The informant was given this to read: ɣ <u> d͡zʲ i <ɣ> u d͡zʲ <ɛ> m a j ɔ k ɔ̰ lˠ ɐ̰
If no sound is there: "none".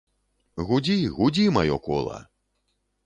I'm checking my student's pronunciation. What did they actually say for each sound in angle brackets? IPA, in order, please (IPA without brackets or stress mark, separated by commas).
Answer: u, ɣ, i